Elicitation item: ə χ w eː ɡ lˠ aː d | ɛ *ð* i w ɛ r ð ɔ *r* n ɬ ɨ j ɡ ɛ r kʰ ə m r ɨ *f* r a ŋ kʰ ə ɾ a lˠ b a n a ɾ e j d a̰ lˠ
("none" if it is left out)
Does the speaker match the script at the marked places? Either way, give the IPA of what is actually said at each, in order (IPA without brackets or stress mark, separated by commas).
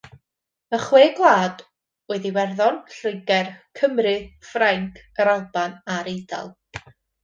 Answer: ð, none, f